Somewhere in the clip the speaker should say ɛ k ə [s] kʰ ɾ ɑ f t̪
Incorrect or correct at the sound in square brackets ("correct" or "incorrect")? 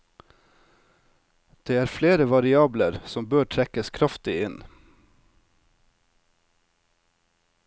correct